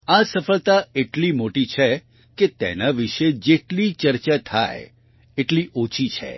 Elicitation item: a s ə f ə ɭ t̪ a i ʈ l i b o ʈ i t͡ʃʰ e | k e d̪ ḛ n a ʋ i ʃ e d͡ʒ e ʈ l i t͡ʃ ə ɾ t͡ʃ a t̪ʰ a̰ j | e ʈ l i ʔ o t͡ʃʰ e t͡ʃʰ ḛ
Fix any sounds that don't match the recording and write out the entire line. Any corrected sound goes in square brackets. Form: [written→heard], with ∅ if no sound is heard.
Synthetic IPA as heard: a s ə f ə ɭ t̪ a [i→e] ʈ l i [b→m] o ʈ i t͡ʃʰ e | k e [d̪→t̪] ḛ n a ʋ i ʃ e d͡ʒ e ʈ l i t͡ʃ ə ɾ t͡ʃ a t̪ʰ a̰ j | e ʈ l i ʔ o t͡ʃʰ [e→i] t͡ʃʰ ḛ

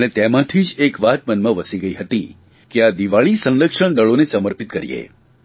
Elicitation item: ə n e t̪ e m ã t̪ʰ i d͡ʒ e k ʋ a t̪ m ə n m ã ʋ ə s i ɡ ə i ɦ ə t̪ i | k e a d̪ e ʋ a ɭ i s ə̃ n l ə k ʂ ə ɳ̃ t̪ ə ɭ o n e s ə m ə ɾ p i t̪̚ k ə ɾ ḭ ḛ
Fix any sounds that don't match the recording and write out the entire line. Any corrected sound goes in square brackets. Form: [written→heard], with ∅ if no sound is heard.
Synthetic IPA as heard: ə n e t̪ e m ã t̪ʰ i d͡ʒ e k ʋ a t̪ m ə n m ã ʋ ə s i ɡ ə i ɦ ə t̪ i | k e a d̪ [e→i] ʋ a ɭ i s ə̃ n l ə k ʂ ə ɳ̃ [t̪→d̪] ə ɭ o n e s ə m ə ɾ p i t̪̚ k ə ɾ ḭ ḛ

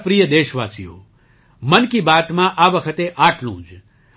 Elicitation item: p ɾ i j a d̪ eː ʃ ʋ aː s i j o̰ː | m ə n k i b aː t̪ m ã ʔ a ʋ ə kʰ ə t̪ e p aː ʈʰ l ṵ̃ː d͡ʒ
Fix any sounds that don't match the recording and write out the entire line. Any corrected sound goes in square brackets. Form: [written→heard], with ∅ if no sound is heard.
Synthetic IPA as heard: p ɾ i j [a→ə] d̪ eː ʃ ʋ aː s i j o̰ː | m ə n k i b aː t̪ m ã ʔ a ʋ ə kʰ ə t̪ e [p→ʔ] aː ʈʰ l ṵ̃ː d͡ʒ

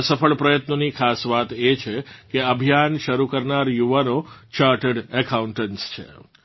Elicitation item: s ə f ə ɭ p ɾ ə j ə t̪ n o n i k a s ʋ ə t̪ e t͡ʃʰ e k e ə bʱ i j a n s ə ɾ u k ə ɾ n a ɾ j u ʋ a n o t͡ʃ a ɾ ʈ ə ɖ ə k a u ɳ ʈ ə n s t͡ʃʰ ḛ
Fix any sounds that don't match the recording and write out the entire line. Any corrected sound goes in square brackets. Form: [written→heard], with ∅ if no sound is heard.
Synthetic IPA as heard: s ə f ə ɭ p ɾ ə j ə t̪ n o n i [k→kʰ] a s ʋ [ə→a] t̪ e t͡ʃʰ e k e ə bʱ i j a n [s→ʃ] ə ɾ u k ə ɾ n a ɾ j u ʋ a n o t͡ʃ a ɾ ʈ ə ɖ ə k a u ɳ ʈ ə n s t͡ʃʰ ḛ

